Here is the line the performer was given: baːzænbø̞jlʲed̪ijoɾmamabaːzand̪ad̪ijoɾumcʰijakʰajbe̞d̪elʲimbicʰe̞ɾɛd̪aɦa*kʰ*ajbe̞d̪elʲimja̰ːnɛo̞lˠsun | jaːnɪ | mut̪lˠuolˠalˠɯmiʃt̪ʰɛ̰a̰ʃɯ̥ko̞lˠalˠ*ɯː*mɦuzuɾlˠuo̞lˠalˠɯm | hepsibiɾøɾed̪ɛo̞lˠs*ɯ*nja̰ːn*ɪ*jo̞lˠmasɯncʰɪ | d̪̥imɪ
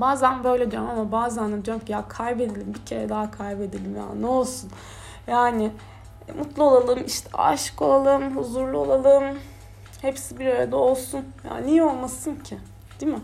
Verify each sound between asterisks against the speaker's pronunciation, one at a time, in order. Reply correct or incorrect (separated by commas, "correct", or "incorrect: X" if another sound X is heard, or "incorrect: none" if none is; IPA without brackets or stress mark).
correct, incorrect: ɯ, incorrect: u, incorrect: i